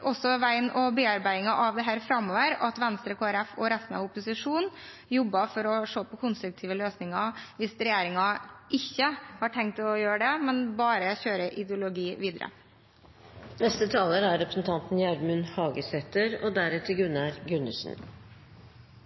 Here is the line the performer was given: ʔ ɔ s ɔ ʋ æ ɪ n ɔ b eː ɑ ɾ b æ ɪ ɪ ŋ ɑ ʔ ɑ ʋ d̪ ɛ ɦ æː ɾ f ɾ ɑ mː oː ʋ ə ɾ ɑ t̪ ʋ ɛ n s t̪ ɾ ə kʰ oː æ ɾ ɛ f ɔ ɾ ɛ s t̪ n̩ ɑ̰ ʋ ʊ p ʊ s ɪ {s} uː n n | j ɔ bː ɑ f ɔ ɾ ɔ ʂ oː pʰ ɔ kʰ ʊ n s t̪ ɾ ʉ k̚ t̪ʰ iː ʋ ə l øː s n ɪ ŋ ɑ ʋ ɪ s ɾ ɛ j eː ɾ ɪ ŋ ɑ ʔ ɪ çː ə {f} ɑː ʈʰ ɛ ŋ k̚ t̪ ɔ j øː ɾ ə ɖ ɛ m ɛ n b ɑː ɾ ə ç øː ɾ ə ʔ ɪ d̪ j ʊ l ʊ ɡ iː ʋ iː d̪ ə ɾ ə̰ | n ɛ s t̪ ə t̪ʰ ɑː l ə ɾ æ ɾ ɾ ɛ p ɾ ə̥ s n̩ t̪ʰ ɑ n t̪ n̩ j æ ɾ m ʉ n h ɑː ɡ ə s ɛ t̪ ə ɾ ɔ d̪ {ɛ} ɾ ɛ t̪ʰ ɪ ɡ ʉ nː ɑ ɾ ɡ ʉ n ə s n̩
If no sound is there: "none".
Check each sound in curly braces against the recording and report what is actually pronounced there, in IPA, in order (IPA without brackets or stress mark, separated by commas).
ʂ, h, æ